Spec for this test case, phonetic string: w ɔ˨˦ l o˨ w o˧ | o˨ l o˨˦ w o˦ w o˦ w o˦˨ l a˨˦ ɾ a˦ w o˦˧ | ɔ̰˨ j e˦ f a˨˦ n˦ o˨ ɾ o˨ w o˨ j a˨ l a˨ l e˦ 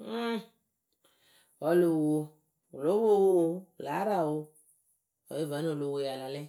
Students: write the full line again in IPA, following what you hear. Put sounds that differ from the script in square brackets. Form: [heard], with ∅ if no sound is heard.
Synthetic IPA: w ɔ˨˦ l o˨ w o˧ | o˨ l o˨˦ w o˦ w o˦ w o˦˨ l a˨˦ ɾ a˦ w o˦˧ | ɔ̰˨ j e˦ [v] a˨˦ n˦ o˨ [l] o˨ w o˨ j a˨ l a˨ l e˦